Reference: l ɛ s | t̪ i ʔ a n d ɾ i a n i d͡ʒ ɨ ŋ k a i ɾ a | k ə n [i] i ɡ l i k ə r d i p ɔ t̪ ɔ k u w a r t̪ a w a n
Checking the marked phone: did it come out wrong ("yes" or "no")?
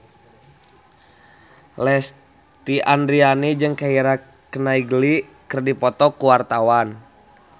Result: yes